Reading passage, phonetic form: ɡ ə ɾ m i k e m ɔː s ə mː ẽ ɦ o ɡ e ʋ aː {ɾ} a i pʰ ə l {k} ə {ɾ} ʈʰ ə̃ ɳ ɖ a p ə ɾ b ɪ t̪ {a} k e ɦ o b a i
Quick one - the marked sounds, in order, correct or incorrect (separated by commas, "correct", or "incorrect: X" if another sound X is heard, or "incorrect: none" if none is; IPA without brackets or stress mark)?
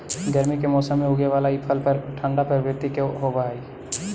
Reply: incorrect: l, incorrect: p, correct, incorrect: i